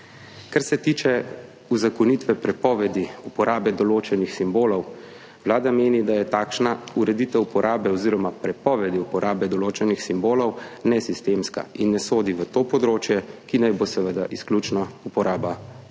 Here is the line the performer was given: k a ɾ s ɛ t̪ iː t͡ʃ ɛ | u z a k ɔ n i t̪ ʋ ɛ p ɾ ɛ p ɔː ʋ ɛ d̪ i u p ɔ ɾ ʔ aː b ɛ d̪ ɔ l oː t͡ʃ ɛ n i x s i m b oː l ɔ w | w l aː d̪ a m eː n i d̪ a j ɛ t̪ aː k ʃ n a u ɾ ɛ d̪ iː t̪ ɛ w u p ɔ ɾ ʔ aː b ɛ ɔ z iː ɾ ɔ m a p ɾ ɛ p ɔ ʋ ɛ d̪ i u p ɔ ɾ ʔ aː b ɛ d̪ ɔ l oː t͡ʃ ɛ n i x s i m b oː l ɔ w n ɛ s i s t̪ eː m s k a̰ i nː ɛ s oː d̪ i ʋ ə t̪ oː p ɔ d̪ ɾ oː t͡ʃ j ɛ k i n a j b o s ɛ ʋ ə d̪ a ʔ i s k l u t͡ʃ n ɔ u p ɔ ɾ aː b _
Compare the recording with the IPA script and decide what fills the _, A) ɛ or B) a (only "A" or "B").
B